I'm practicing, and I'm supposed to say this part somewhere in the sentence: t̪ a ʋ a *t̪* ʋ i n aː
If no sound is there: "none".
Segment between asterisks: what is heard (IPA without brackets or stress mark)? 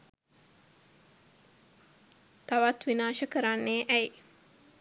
t̪